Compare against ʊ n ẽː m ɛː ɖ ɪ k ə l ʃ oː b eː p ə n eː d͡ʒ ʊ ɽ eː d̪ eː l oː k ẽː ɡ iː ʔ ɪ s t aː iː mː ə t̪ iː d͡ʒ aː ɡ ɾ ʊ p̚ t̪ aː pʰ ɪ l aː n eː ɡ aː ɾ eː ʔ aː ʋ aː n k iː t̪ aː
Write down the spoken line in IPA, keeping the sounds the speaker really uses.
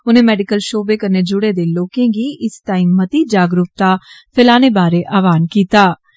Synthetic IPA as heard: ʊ n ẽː m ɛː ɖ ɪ k ə l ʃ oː b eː k ə n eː d͡ʒ ʊ ɽ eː d̪ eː l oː k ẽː ɡ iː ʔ ɪ s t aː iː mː ə t̪ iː d͡ʒ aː ɡ ɾ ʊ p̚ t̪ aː pʰ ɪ l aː n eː b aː ɾ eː ʔ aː ʋ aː n k iː t̪ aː

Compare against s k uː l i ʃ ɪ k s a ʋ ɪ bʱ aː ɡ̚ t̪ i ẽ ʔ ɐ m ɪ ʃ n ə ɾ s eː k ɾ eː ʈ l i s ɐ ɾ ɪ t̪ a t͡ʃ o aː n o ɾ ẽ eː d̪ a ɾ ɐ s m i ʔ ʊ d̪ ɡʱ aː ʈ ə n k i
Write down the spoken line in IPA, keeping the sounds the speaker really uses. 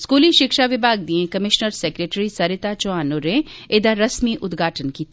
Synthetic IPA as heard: s k uː l i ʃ ɪ k ʃ a ʋ ɪ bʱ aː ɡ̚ d̪ i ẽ k ɐ m ɪ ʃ n ə ɾ s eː k ɾ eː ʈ ɾ i s ɐ ɾ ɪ t̪ a t͡ʃ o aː n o ɾ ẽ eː d̪ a ɾ ɐ s m i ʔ ʊ d̪ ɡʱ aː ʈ ə n k i

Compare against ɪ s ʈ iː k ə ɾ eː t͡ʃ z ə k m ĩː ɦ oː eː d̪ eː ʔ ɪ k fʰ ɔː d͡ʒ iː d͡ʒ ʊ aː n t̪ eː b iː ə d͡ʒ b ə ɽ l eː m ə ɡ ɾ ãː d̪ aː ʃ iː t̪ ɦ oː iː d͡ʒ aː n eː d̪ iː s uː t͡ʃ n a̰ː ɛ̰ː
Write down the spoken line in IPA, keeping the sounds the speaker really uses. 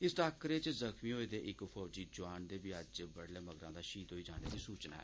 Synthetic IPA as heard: ɪ s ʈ aː k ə ɾ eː t͡ʃ z ə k m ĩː ɦ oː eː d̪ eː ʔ ɪ k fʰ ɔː d͡ʒ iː d͡ʒ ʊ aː n d̪ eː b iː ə d͡ʒ b ə ɽ l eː m ə ɡ ɾ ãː d̪ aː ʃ iː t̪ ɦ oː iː d͡ʒ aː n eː d̪ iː s uː t͡ʃ n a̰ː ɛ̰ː

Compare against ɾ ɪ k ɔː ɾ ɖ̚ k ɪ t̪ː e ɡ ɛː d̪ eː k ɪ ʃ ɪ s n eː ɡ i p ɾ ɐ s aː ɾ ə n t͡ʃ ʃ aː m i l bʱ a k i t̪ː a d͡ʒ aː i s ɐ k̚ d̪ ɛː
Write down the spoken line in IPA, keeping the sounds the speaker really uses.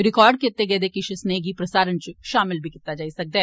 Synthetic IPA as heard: ɾ ɪ k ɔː ɾ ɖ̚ k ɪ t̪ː e ɡ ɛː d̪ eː k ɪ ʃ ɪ s n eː ɡ i p ɾ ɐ s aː ɾ ə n t͡ʃ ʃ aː m ɪ l bʱ i k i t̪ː a d͡ʒ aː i s ɐ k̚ d̪ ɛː

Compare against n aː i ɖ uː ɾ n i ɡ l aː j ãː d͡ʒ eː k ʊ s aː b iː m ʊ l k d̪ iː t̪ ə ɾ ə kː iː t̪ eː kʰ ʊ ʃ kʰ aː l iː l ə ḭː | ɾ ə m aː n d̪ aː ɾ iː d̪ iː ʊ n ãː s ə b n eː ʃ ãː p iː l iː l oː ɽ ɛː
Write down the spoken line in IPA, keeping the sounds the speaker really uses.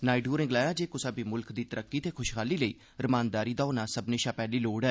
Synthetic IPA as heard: n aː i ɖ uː ɾ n ɪ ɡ l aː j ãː d͡ʒ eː k ʊ s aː b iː m ʊ l k d̪ iː t̪ ə ɾ ə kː iː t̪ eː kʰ ʊ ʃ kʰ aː l iː l ə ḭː | ɾ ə m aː n d̪ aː ɾ iː d̪ aː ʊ n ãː s ə b n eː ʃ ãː p ɛː l iː l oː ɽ ɛː

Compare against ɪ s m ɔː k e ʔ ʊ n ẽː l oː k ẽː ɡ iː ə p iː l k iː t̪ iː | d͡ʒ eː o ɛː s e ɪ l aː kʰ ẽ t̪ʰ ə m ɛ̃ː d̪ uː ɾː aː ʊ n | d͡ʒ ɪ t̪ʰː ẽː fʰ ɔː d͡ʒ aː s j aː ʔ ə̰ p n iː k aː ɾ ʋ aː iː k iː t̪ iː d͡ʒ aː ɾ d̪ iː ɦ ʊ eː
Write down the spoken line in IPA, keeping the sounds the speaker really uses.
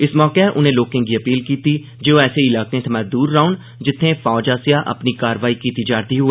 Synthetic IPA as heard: ɪ s m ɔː k e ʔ ʊ n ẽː l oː k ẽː ɡ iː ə p iː l k iː t̪ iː | d͡ʒ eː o ɛː s e ɪ l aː k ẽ t̪ʰ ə m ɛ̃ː d̪ uː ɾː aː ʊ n | d͡ʒ ɪ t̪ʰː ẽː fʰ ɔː d͡ʒ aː s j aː ʔ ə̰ p n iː k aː ɾ ʋ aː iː k iː t̪ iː d͡ʒ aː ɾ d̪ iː ɦ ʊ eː

